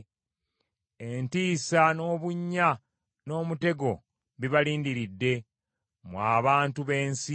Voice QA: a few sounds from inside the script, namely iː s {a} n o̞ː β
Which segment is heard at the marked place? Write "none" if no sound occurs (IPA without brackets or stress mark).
a